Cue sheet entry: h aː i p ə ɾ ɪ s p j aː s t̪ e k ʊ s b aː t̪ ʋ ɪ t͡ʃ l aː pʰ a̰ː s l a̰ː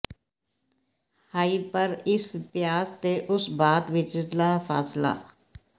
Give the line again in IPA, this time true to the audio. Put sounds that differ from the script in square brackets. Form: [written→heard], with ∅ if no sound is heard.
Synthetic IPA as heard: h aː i p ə ɾ ɪ s p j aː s t̪ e [k→ʔ] ʊ s b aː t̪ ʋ ɪ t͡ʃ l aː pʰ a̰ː s l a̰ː